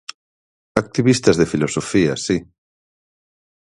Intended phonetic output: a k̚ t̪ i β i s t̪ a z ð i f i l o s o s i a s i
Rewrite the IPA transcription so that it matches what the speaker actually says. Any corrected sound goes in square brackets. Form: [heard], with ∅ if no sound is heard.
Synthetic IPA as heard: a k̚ t̪ i β i s t̪ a z ð [e] f i l o s o [f] i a s i